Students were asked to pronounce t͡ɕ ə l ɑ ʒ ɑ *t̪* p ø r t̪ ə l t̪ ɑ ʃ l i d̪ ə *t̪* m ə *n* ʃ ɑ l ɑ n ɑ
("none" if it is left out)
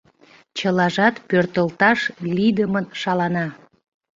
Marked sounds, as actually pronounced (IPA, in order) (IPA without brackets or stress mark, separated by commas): t̪, none, n